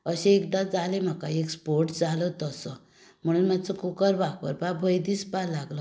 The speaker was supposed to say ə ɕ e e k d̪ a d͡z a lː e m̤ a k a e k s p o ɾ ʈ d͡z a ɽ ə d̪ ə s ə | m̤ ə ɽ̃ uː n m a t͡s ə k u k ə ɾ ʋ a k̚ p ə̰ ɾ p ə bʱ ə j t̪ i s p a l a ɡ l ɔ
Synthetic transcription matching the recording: ə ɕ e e k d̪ a d͡z a l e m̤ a k a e k s p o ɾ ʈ d͡z a l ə t̪ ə s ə | m̤ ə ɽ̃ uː n m a t͡s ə k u k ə ɾ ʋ a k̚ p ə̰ ɾ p a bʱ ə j d̪ i s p a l a ɡ l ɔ